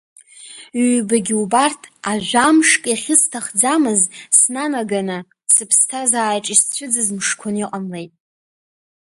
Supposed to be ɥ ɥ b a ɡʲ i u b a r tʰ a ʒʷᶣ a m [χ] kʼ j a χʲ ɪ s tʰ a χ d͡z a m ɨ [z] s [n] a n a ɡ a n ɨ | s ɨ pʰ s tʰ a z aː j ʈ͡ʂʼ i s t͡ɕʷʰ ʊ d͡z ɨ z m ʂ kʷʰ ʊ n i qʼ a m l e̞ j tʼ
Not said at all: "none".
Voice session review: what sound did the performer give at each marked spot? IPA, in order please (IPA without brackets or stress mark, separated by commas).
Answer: ʂ, z, n